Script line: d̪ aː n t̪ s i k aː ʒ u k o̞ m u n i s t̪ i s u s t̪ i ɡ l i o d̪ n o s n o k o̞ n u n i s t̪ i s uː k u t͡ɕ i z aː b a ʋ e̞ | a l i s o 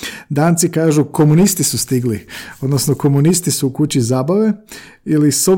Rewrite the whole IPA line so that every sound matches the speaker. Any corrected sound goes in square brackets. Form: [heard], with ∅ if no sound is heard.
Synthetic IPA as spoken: d̪ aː n t̪ s i k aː ʒ u k o̞ m u n i s t̪ i s u s t̪ i ɡ l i o d̪ n o s n o k o̞ [m] u n i s t̪ i s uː k u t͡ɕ i z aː b a ʋ e̞ | [i] l i s o